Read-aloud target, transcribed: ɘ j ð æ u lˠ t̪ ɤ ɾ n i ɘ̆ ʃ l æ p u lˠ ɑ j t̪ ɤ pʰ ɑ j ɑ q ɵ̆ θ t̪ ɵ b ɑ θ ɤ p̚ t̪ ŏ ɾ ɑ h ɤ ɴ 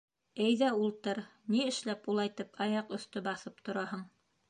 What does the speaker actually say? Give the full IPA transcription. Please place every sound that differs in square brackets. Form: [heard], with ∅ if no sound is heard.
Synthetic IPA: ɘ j ð æ u lˠ t̪ ɤ ɾ n i ɘ̆ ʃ l æ p u lˠ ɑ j t̪ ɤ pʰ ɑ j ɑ q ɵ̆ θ t̪ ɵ b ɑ θ ɤ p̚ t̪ ŏ ɾ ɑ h ɤ ɴ